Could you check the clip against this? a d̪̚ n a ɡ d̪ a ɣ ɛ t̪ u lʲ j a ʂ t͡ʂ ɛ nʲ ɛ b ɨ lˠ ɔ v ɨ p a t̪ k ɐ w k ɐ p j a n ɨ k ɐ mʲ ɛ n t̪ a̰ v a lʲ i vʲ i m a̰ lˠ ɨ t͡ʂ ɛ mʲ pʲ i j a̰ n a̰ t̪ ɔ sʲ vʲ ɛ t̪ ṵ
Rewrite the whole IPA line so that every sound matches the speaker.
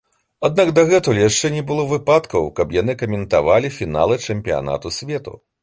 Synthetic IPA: a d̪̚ n a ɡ d̪ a ɣ ɛ t̪ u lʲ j a ʂ t͡ʂ ɛ nʲ ɛ b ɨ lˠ ɔ v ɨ p a t̪ k ɐ w k ɐ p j a n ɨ k ɐ mʲ ɛ n t̪ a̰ v a lʲ i fʲ i n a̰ lˠ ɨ t͡ʂ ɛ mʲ pʲ i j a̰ n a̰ t̪ u sʲ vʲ ɛ t̪ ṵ